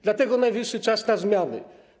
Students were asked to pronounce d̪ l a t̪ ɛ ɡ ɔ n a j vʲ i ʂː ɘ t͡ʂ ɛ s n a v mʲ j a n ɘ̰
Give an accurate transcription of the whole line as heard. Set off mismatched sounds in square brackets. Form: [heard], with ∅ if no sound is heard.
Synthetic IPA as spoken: d̪ l a t̪ ɛ ɡ ɔ n a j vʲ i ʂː ɘ t͡ʂ [a] s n a [z] mʲ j a n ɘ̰